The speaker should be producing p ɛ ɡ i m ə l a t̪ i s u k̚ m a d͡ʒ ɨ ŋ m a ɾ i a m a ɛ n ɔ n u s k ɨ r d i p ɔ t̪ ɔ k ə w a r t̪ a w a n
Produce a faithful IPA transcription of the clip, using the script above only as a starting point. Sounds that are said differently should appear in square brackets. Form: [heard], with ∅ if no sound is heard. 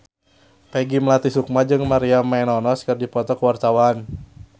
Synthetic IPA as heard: p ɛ ɡ i m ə l a t̪ i s u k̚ m a d͡ʒ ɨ ŋ m a ɾ i a m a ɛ n ɔ n [ɔ] s k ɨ r d i p ɔ t̪ ɔ k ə w a r t̪ a w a n